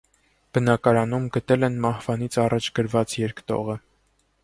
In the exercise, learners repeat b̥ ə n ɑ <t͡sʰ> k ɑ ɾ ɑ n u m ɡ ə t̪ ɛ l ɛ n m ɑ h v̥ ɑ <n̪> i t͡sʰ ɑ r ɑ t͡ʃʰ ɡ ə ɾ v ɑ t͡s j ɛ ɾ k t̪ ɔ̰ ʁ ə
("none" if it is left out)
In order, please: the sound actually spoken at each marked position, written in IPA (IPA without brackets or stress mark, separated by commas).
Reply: none, n̪